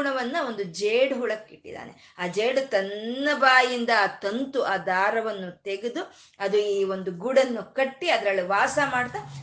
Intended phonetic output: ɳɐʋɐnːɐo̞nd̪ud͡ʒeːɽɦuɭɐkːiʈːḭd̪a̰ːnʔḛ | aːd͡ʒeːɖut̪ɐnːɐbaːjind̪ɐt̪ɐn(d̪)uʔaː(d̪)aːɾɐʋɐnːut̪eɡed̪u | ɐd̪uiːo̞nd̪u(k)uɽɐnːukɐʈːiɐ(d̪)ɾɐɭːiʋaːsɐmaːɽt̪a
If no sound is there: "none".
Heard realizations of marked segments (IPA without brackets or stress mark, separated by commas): t̪, d̪, ɡ, d̪